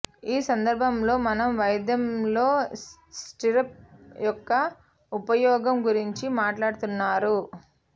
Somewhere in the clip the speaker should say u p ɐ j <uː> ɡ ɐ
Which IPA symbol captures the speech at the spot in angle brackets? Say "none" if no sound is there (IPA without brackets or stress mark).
ɔː